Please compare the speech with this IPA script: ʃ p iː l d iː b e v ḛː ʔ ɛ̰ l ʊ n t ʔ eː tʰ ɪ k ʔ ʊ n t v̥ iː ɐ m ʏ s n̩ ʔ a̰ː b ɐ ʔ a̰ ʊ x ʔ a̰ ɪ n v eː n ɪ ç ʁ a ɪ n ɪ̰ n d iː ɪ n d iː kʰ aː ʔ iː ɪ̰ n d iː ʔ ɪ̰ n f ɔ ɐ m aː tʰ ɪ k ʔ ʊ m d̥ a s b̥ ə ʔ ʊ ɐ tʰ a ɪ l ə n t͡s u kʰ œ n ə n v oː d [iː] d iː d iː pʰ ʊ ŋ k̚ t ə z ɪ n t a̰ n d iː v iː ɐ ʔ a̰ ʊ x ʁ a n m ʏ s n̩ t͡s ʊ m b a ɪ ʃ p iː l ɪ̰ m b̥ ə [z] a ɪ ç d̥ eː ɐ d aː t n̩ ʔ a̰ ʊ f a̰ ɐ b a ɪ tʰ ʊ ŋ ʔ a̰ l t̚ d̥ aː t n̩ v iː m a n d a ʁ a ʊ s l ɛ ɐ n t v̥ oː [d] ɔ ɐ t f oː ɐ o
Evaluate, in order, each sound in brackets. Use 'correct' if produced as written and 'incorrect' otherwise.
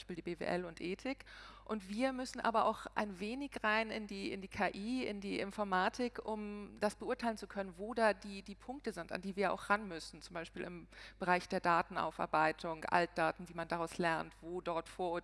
incorrect: aː, incorrect: ʁ, correct

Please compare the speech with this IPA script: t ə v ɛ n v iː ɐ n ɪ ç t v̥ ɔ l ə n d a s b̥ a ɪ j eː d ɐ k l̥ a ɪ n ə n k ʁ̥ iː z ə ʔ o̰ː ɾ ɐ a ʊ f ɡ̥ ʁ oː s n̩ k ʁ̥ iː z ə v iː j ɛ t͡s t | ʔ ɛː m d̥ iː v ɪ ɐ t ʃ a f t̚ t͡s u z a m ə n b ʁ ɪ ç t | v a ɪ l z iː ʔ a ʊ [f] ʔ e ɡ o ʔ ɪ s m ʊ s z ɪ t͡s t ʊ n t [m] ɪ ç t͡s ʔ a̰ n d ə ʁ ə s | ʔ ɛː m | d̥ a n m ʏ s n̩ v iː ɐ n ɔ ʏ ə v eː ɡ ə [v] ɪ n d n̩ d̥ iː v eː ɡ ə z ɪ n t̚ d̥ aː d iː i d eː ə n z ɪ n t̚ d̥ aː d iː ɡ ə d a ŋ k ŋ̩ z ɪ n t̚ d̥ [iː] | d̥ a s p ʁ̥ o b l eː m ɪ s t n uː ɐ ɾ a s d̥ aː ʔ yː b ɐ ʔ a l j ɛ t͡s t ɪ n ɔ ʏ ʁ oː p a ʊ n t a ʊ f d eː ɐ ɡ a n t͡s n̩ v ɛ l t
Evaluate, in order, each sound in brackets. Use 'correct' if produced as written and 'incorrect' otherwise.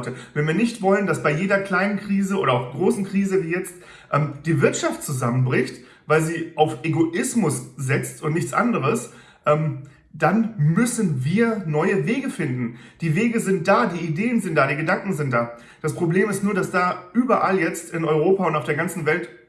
correct, incorrect: n, incorrect: f, incorrect: aː

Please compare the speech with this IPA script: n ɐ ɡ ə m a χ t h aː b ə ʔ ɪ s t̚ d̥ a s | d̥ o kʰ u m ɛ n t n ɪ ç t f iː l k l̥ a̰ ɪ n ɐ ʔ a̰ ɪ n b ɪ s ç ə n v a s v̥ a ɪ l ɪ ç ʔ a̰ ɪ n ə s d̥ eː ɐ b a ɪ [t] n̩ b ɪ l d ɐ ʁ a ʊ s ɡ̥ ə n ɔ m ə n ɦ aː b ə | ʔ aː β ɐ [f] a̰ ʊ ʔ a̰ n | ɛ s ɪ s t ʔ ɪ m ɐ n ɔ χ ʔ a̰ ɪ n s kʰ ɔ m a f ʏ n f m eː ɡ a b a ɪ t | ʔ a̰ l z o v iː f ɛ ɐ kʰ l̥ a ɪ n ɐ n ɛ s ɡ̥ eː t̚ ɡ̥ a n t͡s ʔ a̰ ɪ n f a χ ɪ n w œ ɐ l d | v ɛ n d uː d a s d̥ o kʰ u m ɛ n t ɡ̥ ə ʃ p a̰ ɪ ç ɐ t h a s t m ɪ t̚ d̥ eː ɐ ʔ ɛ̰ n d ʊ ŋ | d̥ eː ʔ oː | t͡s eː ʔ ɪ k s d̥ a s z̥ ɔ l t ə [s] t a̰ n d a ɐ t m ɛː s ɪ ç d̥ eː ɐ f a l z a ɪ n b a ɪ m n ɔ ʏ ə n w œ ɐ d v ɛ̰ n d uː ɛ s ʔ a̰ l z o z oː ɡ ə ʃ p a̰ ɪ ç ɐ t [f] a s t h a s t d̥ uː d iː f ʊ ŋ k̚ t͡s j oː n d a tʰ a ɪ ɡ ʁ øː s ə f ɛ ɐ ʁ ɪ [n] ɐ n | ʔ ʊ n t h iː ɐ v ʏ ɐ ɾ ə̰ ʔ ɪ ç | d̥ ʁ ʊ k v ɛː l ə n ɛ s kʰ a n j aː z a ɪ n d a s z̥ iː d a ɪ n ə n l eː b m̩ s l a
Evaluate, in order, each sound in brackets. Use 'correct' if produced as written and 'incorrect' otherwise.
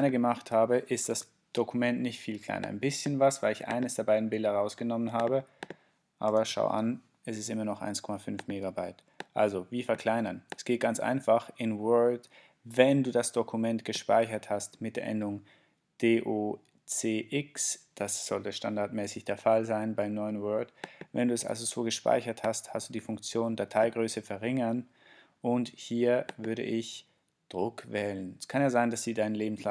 incorrect: d, incorrect: ʃ, incorrect: ʃ, incorrect: h, incorrect: ŋ

